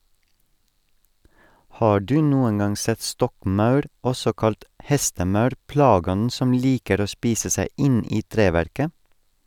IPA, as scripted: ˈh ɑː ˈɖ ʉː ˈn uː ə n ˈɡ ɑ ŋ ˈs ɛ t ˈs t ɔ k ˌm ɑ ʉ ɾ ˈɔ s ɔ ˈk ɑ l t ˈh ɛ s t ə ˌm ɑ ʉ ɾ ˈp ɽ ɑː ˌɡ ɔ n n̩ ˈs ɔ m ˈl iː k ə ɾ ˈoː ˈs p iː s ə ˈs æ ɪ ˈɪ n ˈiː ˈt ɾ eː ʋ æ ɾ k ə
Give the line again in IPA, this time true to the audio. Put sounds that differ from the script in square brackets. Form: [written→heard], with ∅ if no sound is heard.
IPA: ˈh ɑː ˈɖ ʉː ˈn uː ə n ˈɡ ɑ ŋ ˈs ɛ t ˈs t ɔ k ˌm ɑ ʉ ɾ ˈɔ s ɔ ˈk ɑ l t ˈh ɛ s t ə ˌm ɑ ʉ ɾ ˈp [ɽ→l] ɑː ˌɡ ɔ n n̩ ˈs ɔ m ˈl iː k ə ɾ ˈoː ˈs p iː s ə ˈs æ ɪ ˈɪ n ˈiː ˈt ɾ eː ʋ æ ɾ k ə